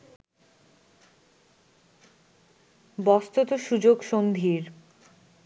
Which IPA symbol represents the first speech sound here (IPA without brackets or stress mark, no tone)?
b